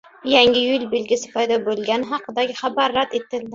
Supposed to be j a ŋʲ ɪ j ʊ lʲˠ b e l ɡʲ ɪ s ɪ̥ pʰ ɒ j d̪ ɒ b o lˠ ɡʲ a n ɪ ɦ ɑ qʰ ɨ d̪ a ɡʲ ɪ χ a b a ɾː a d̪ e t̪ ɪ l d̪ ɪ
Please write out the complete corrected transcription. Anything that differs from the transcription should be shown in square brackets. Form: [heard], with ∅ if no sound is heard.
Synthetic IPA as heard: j a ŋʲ ɪ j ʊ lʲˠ b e l ɡʲ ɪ s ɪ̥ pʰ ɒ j d̪ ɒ b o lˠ ɡʲ a n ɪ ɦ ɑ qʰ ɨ d̪ a ɡʲ ɪ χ a b a ɾː a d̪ e t̪ ɪ l d̪ ɪ